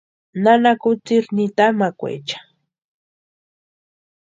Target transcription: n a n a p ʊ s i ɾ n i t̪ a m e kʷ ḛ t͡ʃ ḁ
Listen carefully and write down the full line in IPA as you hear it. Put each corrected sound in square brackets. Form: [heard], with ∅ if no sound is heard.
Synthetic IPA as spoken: n a n a [k] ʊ [t͡s] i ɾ n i t̪ a m [a] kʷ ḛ t͡ʃ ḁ